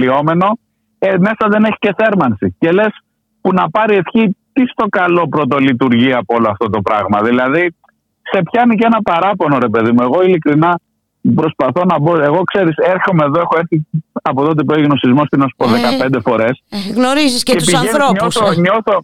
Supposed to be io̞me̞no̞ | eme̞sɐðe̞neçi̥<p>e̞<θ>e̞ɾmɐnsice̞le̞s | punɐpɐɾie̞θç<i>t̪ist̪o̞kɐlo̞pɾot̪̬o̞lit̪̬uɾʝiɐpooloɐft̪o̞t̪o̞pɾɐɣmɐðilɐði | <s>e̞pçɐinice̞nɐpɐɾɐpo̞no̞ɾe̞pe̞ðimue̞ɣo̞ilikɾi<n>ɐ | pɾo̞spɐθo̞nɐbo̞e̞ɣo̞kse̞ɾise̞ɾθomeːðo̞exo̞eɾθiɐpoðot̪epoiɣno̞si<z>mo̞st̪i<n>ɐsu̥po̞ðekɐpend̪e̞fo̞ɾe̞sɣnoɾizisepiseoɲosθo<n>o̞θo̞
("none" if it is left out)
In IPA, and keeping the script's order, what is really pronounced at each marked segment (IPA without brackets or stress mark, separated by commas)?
c, θ, i, s, n, z, n, ɲ